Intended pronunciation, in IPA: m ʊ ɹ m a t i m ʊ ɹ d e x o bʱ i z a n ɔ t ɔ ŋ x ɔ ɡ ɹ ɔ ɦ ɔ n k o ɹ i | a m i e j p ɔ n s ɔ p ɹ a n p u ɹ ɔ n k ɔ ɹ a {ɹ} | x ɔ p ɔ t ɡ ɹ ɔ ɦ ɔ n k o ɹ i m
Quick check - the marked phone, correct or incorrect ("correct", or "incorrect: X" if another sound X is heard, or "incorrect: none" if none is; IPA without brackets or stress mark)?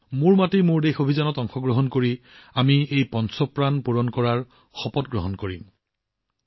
correct